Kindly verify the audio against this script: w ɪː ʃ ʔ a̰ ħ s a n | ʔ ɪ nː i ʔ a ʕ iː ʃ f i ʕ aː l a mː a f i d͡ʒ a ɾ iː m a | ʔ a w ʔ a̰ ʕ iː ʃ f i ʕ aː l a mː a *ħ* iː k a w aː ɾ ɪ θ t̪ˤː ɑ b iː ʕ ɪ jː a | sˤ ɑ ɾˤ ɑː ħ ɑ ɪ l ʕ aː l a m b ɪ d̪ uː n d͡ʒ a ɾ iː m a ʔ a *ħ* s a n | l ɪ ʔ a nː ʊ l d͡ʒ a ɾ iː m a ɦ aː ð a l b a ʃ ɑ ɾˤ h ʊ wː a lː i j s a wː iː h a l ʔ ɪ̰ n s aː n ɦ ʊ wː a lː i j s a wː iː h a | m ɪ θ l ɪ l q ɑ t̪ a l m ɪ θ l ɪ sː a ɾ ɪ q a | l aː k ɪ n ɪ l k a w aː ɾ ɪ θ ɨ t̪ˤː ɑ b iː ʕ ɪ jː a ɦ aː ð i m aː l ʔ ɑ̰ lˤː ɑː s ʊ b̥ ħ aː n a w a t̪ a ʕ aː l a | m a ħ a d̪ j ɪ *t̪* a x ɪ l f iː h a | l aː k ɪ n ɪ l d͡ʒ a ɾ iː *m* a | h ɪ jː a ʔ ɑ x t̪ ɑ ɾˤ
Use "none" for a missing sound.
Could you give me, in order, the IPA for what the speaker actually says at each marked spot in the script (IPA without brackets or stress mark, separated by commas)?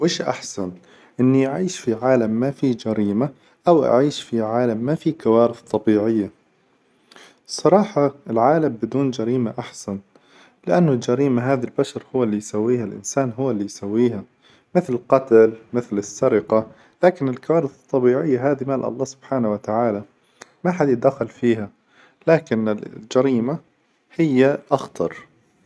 f, ħ, d̪, m